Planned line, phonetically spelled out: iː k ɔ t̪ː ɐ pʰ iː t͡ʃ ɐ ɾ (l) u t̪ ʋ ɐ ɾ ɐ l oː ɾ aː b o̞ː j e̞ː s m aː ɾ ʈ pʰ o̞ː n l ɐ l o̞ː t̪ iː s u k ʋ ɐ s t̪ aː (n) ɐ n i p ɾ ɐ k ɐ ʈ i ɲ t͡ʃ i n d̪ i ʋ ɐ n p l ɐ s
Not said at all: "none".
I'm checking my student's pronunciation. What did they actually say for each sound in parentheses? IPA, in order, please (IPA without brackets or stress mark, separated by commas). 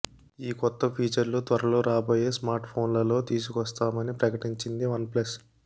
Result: l, m